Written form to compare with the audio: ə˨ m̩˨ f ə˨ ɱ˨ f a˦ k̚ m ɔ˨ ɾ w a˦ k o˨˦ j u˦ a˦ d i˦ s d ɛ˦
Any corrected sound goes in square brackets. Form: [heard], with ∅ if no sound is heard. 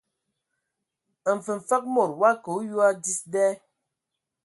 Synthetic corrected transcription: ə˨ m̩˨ f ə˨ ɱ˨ f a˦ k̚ m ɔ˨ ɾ w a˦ k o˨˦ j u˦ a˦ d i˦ s d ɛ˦